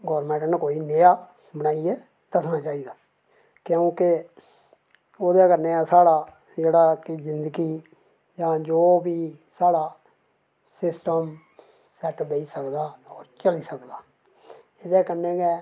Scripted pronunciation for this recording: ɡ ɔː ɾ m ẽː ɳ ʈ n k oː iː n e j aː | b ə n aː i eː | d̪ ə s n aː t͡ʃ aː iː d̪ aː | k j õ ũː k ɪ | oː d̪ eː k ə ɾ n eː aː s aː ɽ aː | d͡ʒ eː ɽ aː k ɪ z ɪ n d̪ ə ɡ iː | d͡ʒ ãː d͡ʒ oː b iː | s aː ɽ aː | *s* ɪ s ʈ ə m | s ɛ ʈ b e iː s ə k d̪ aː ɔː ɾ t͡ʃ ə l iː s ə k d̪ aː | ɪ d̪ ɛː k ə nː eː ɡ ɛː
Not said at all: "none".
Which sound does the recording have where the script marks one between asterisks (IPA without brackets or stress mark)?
s